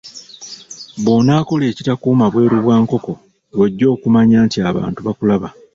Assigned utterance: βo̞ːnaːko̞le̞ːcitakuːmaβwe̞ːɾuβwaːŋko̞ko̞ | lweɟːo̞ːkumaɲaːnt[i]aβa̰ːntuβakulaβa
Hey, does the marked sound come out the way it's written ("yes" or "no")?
yes